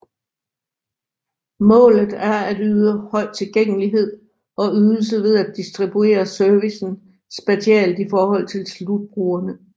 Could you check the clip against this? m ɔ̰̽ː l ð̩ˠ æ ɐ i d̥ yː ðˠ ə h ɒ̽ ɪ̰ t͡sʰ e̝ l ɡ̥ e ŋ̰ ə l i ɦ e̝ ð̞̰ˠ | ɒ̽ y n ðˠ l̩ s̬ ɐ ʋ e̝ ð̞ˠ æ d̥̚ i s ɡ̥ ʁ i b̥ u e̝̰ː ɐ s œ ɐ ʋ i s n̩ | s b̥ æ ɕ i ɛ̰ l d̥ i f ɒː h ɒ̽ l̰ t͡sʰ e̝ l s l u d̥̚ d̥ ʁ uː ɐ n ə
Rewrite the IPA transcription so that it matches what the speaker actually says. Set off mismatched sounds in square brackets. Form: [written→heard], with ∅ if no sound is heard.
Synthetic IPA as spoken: m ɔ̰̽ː l ð̩ˠ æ ɐ [i→æ] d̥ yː ðˠ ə h ɒ̽ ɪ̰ t͡sʰ e̝ l ɡ̥ e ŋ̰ ə l i ɦ e̝ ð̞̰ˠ | ɒ̽ y [n→∅] ðˠ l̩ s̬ [ɐ→ə] ʋ e̝ ð̞ˠ æ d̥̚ i s [ɡ̥→d̥] ʁ i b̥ u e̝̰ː ɐ s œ ɐ ʋ i s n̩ | s b̥ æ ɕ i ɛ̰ l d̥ i f ɒː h ɒ̽ l̰ t͡sʰ e̝ l s l u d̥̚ [d̥→b̥] ʁ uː ɐ n ə